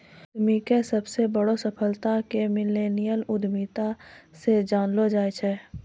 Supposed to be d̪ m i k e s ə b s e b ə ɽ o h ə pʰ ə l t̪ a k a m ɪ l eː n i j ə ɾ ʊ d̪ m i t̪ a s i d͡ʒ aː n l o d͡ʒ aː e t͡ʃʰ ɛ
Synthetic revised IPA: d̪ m i k e s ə b s e b ə ɽ o s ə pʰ ə l t̪ a k e m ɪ l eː n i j ə l ʊ d̪ m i t̪ a s e d͡ʒ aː n l o d͡ʒ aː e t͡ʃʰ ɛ